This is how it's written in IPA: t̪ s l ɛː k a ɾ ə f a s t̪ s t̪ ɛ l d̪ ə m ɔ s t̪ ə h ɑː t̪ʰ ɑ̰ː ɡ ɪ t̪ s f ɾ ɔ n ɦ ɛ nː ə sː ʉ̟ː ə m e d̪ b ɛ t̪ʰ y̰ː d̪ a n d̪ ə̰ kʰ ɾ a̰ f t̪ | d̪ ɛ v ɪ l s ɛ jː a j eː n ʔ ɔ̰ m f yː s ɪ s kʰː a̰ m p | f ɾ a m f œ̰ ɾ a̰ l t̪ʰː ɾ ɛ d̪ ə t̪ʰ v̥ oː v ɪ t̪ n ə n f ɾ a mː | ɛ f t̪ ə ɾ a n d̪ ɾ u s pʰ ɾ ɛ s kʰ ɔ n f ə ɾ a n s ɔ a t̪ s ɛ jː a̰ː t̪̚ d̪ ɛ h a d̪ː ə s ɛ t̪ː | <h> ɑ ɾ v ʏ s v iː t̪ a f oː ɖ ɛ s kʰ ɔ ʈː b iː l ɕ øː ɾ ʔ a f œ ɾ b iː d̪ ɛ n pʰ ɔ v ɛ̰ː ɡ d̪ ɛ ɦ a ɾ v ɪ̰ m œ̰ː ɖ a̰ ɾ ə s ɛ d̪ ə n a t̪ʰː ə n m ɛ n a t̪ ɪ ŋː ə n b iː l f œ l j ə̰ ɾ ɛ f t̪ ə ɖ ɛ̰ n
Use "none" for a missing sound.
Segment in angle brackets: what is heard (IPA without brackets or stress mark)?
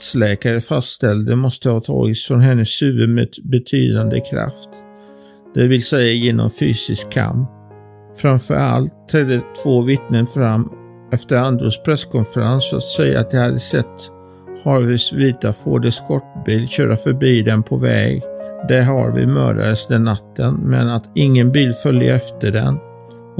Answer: h